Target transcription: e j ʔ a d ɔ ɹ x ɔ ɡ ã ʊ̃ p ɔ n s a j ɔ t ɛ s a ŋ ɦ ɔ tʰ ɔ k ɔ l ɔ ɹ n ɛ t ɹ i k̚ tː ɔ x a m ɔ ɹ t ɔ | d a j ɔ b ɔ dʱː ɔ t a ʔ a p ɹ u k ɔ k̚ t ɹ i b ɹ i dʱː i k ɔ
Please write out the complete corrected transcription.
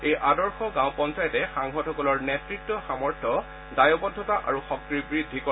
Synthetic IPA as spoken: e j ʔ a d ɔ ɹ x ɔ ɡ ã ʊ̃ p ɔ n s a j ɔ t ɛ x a ŋ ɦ ɔ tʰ ɔ k ɔ l ɔ ɹ n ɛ t ɹ i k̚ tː ɔ x a m ɔ ɹ tʰ ɔ | d a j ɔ b ɔ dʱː ɔ t a ʔ a ɹ u x ɔ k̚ t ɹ i b ɹ i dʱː i k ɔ